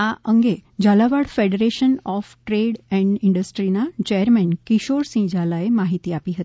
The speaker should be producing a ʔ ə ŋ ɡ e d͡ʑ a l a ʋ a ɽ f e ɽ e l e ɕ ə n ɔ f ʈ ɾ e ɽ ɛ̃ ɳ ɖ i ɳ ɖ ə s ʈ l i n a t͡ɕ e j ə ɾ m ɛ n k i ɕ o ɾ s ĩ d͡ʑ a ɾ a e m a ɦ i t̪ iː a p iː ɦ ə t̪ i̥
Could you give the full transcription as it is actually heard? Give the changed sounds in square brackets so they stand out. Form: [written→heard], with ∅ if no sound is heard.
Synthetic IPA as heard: a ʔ ə ŋ ɡ e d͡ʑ a l a ʋ a ɽ f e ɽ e [l→ɾ] e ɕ ə n ɔ f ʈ ɾ e ɽ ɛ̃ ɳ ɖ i ɳ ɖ ə s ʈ [l→ɾ] i n a t͡ɕ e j ə ɾ m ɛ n k i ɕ o ɾ s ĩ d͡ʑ a [ɾ→l] a e m a ɦ i t̪ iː a p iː ɦ ə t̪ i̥